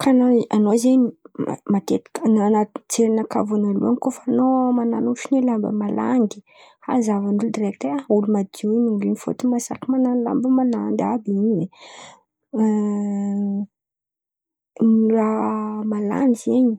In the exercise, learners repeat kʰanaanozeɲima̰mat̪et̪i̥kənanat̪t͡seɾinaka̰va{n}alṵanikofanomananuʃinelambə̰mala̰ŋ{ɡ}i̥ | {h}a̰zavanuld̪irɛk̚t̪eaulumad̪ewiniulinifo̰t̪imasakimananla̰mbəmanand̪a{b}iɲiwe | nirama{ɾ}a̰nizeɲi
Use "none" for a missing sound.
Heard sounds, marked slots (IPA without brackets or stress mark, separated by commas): n, ɡ, h, b, l